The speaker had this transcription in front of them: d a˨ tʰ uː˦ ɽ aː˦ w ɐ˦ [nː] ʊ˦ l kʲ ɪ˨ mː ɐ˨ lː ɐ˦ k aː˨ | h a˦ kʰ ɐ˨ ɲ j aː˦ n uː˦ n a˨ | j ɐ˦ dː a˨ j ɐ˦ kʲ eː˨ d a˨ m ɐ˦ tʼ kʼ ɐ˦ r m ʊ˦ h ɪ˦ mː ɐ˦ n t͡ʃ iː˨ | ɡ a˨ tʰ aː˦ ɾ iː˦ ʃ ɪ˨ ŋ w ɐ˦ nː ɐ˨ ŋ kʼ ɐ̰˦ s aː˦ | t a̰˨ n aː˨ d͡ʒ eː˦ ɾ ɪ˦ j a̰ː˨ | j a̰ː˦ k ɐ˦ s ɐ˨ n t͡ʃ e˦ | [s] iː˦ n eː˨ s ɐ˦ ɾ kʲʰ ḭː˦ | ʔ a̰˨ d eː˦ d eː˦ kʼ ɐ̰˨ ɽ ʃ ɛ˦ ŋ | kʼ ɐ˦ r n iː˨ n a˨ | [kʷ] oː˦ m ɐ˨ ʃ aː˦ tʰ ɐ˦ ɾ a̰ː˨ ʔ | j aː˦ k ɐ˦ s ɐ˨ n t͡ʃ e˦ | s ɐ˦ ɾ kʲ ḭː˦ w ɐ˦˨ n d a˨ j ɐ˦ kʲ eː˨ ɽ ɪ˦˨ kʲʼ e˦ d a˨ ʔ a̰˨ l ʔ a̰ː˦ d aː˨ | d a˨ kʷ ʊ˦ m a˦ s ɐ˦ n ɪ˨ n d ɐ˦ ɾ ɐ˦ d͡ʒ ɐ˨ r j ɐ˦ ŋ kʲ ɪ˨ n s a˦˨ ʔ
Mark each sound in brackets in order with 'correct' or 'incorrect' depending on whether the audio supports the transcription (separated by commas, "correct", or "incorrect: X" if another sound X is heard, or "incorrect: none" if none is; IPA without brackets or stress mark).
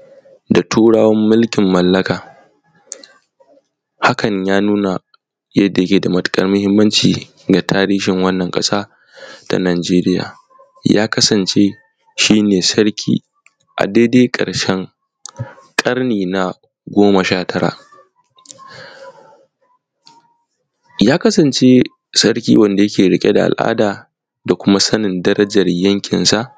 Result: incorrect: mː, incorrect: ʃ, incorrect: ɡʷ